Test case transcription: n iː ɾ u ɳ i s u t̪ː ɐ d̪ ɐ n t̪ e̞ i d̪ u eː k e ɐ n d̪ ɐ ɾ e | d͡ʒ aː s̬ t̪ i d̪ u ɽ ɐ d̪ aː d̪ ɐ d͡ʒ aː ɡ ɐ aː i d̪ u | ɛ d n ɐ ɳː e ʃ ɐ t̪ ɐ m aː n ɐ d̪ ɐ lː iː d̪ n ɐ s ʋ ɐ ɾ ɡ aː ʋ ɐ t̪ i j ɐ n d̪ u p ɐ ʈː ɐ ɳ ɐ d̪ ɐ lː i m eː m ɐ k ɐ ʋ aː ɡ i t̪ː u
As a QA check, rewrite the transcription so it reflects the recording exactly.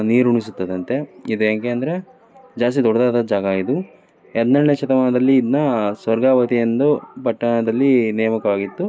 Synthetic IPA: n iː ɾ u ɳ i s u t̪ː ɐ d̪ ɐ n t̪ e̞ i d̪ u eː k e ɐ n d̪ ɐ ɾ e | d͡ʒ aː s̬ t̪ i d̪ ɔ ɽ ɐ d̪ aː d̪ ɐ d͡ʒ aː ɡ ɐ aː i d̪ u | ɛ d n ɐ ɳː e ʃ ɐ t̪ ɐ m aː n ɐ d̪ ɐ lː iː d̪ n ɐ s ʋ ɐ ɾ ɡ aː ʋ ɐ t̪ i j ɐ n d̪ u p ɐ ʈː ɐ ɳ ɐ d̪ ɐ lː i n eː m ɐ k ɐ ʋ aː ɡ i t̪ː u